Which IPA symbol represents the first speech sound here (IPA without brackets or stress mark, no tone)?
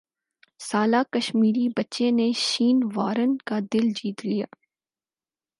s